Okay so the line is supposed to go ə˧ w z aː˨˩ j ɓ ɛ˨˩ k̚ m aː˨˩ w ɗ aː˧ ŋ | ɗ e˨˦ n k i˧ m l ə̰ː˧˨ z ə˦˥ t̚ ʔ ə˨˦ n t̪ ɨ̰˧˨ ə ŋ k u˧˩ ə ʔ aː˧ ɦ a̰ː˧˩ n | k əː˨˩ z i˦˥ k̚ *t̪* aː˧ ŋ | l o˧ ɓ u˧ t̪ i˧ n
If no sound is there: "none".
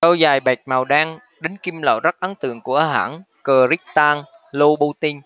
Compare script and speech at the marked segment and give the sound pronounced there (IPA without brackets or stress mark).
t̪